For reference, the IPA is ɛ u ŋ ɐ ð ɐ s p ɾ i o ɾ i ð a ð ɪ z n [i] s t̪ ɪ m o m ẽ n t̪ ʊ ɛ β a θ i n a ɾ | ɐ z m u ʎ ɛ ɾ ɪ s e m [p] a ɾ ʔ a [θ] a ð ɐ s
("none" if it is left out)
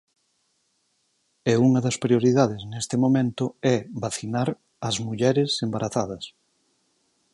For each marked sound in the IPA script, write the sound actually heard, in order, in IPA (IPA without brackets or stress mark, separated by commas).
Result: e, b, θ